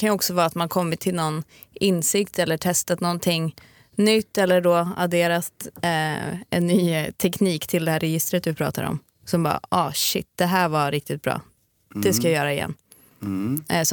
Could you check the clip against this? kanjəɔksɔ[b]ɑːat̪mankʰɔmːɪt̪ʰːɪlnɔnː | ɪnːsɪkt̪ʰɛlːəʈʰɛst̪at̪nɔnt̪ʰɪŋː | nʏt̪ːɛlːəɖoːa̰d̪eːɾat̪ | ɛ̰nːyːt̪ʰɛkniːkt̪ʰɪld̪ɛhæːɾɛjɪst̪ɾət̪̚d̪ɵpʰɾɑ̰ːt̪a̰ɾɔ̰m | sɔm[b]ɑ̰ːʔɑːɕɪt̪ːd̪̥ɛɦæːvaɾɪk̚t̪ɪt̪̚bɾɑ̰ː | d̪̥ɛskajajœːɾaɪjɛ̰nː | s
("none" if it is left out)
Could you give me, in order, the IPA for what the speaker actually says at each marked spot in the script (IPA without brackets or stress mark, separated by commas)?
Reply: v, b